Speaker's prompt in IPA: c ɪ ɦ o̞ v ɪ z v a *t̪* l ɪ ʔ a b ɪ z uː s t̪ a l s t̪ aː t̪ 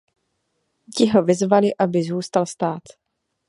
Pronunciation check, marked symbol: incorrect: none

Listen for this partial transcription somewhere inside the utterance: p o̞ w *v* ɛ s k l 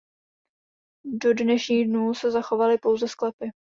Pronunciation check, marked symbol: incorrect: z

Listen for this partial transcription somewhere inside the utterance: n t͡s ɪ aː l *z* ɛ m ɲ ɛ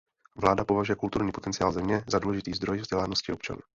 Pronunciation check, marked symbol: correct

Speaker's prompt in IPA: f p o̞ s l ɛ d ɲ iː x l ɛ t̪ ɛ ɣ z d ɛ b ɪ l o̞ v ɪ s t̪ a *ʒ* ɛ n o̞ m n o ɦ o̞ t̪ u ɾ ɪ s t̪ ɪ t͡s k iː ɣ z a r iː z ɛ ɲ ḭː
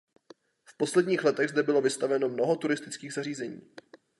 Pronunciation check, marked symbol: incorrect: v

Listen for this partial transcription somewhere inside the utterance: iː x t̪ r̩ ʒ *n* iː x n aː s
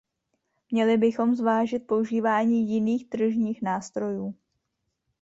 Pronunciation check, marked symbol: incorrect: ɲ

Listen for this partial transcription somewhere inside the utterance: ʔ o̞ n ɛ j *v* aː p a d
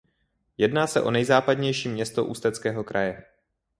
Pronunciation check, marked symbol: incorrect: z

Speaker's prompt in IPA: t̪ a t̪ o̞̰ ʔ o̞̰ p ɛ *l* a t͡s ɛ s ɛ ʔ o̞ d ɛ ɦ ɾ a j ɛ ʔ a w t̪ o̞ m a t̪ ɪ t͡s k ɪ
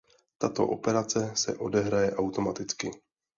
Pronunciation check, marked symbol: incorrect: ɾ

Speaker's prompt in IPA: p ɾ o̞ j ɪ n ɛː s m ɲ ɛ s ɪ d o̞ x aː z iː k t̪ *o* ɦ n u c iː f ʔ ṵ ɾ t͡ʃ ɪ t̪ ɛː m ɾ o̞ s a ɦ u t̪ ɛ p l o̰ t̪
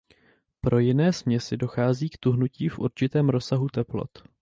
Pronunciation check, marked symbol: incorrect: u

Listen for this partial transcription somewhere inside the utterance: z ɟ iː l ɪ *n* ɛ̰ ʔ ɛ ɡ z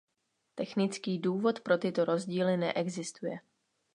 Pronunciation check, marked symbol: correct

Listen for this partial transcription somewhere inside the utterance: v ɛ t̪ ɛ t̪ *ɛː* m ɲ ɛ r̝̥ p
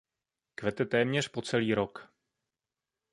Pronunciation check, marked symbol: correct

